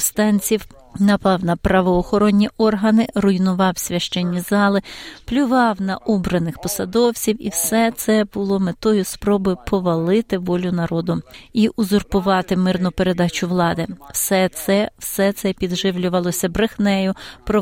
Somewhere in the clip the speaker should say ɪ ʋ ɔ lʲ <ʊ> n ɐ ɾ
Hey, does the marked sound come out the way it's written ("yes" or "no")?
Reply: yes